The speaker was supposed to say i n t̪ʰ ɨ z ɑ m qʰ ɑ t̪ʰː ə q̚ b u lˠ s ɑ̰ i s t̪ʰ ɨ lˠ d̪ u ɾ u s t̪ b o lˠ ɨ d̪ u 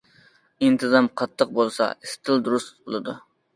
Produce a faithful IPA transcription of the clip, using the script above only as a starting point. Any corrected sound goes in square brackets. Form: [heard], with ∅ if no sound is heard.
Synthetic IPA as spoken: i n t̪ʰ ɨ z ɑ m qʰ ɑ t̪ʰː ə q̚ b [o] lˠ s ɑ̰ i s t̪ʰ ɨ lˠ d̪ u ɾ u s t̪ b o lˠ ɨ d̪ u